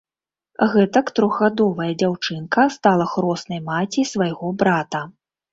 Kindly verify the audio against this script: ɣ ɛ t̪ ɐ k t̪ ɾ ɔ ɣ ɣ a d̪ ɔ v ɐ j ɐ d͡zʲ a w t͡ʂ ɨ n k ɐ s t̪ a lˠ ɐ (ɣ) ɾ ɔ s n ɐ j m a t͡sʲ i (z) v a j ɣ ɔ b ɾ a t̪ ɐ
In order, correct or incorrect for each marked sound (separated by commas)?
incorrect, incorrect